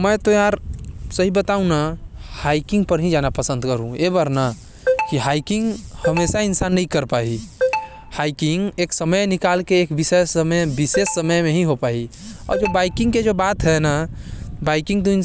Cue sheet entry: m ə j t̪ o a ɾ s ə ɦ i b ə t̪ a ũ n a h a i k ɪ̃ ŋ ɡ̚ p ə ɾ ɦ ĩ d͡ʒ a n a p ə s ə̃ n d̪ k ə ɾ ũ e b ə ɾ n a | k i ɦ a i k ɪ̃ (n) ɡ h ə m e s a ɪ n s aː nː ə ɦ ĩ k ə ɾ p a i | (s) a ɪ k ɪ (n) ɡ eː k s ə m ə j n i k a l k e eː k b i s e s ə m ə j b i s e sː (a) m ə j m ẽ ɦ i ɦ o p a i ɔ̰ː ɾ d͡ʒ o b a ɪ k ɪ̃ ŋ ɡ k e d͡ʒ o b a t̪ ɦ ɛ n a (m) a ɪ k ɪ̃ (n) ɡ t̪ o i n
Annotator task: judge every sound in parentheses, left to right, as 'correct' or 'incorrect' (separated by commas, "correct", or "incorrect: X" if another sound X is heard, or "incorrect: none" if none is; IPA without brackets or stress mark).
incorrect: ŋ, incorrect: h, incorrect: ŋ, incorrect: ə, incorrect: b, incorrect: ŋ